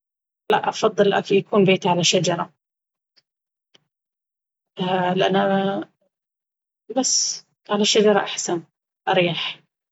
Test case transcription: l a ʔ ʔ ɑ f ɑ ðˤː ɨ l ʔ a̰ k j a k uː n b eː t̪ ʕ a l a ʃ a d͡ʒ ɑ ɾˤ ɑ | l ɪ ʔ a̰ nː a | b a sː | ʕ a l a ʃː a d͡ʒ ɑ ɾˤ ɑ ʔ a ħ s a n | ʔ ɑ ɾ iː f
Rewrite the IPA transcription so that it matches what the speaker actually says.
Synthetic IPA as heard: l a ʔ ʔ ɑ f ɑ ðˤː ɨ l ʔ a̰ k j a k uː n b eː t̪ ʕ a l a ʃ a d͡ʒ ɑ ɾˤ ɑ | l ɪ ʔ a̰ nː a | b a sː | ʕ a l a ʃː a d͡ʒ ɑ ɾˤ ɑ ʔ a ħ s a n | ʔ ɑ ɾ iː ħ